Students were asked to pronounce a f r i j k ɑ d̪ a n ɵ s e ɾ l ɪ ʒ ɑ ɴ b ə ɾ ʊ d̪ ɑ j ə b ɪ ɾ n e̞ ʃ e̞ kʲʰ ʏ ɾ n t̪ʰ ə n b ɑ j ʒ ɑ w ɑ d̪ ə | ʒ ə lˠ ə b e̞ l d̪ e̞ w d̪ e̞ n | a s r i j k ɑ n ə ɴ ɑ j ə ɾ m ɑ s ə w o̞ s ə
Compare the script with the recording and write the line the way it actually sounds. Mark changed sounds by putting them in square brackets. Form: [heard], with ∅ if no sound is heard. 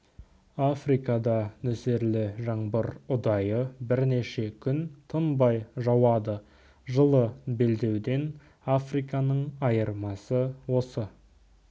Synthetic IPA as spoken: a f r i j k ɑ d̪ [ɑ] n ɵ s e ɾ l ɪ ʒ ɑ ɴ b ə ɾ ʊ d̪ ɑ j ə b ɪ ɾ n e̞ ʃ e̞ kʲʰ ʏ [∅] n t̪ʰ ə n b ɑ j ʒ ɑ w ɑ d̪ ə | ʒ ə lˠ ə b e̞ l d̪ e̞ w d̪ e̞ n | a [f] r i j k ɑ n ə ɴ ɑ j ə ɾ m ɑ s ə w o̞ s ə

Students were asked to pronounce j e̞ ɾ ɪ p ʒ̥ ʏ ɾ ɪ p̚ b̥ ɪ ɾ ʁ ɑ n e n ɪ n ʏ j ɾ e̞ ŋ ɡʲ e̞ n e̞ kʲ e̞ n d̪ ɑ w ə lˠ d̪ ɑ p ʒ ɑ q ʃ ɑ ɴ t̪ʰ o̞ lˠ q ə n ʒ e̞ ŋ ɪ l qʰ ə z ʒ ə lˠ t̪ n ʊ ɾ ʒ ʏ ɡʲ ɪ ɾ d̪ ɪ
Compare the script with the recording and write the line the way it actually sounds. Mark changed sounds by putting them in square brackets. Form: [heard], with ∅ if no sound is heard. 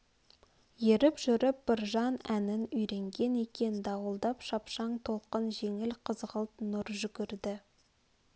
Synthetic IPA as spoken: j e̞ ɾ ɪ p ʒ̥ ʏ ɾ ɪ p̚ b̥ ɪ ɾ [ʒ] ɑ n [æ] n ɪ n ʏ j ɾ e̞ ŋ ɡʲ e̞ n e̞ kʲ e̞ n d̪ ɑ w ə lˠ d̪ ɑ p [ʃ] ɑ [p] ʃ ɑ ɴ t̪ʰ o̞ lˠ q ə n ʒ e̞ ŋ ɪ l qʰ ə z [ʁ] ə lˠ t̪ n ʊ ɾ ʒ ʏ ɡʲ ɪ ɾ d̪ ɪ

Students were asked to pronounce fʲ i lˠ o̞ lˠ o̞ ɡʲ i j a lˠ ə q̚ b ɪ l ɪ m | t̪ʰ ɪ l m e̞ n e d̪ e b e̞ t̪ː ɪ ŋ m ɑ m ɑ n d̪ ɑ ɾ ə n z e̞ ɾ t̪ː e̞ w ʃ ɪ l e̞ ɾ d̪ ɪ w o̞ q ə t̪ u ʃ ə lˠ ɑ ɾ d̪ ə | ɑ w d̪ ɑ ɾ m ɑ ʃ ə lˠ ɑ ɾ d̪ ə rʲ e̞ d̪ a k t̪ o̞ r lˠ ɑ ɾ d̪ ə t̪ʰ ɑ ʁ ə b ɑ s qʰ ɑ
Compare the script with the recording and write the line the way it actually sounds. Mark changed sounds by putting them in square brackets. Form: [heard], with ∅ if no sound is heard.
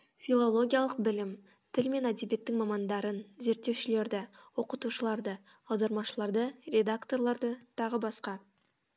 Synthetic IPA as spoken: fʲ i lˠ o̞ lˠ o̞ ɡʲ i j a lˠ ə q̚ b ɪ l ɪ m | t̪ʰ ɪ l m e̞ n [æ] d̪ e b e̞ t̪ː ɪ ŋ m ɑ m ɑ n d̪ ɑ ɾ ə n z e̞ ɾ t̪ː e̞ w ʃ ɪ l e̞ ɾ d̪ ɪ w o̞ q ə t̪ u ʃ ə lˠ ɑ ɾ d̪ ə | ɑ w d̪ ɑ ɾ m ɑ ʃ ə lˠ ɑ ɾ d̪ ə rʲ e̞ d̪ a k t̪ o̞ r lˠ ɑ ɾ d̪ ə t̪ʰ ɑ ʁ ə b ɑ s [q] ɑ

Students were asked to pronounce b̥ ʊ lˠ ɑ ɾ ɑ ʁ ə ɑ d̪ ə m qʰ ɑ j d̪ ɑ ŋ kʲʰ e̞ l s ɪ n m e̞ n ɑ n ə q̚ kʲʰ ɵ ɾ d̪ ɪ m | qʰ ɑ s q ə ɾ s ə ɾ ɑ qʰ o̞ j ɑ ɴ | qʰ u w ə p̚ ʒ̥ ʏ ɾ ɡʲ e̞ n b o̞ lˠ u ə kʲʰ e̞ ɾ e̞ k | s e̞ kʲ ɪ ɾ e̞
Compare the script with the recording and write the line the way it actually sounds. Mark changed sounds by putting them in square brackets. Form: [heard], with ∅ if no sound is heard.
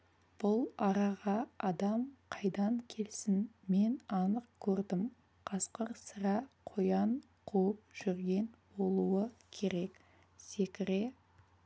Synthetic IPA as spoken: b̥ ʊ lˠ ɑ ɾ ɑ ʁ [ɑ] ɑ d̪ [ɑ] m qʰ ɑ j d̪ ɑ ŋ kʲʰ e̞ l s ɪ n m e̞ n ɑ n ə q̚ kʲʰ ɵ ɾ d̪ ɪ m | qʰ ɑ s q ə ɾ s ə ɾ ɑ qʰ o̞ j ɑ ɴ | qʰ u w ə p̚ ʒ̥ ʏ ɾ ɡʲ e̞ n b o̞ lˠ u ə kʲʰ e̞ ɾ e̞ k | s e̞ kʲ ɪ ɾ e̞

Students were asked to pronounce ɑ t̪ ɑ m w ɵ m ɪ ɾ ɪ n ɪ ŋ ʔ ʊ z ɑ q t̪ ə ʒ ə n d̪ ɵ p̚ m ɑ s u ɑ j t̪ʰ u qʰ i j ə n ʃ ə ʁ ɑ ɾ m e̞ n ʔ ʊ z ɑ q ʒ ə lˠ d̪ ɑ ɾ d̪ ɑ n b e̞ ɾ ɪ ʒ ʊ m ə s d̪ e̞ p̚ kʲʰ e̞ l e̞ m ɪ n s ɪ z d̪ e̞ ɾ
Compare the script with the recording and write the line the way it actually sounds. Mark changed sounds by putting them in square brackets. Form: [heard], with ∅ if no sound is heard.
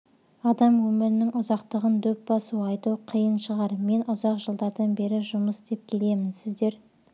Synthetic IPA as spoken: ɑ [d̪] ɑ m w ɵ m ɪ ɾ ɪ n ɪ ŋ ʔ ʊ z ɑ q t̪ ə [ʁ] ə n d̪ ɵ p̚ [b] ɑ s u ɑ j [t̪] u qʰ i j ə n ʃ ə ʁ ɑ ɾ m e̞ n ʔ ʊ z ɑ q ʒ ə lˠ d̪ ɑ ɾ d̪ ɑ n b e̞ ɾ ɪ ʒ ʊ m ə s d̪ e̞ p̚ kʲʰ e̞ l e̞ m ɪ n s ɪ z d̪ e̞ ɾ

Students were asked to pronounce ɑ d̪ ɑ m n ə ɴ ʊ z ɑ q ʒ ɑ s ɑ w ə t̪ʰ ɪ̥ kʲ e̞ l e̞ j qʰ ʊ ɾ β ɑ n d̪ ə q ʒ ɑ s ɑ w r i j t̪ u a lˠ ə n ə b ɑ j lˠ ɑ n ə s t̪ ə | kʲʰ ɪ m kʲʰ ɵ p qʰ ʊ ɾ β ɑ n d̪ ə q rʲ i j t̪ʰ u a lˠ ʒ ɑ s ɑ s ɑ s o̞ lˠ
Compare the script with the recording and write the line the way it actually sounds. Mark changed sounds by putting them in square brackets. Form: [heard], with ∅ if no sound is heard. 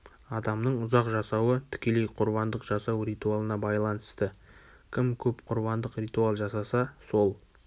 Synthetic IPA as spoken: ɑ d̪ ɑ m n ə ɴ ʊ z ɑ q ʒ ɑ s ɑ w ə t̪ʰ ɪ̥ kʲ e̞ l e̞ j qʰ ʊ ɾ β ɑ n d̪ ə q ʒ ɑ s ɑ w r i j t̪ u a lˠ ə n [ɑ] b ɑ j lˠ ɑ n ə s t̪ ə | kʲʰ ɪ m kʲʰ ɵ p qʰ ʊ ɾ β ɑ n d̪ ə q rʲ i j [t̪] u a lˠ ʒ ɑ s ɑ s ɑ s o̞ lˠ

